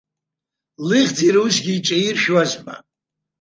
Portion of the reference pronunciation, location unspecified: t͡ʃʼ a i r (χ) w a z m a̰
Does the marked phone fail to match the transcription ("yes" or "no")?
yes